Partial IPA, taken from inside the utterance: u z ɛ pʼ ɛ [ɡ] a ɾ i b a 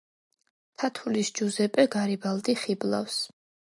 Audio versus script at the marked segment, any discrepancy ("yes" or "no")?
no